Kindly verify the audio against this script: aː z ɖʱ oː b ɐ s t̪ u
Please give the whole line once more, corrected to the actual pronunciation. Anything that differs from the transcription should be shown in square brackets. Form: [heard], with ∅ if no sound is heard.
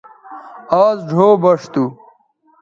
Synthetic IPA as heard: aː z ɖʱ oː b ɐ [ʂ] t̪ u